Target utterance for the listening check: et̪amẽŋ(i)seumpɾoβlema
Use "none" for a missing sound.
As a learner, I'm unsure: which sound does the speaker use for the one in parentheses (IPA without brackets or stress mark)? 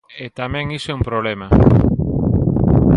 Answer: i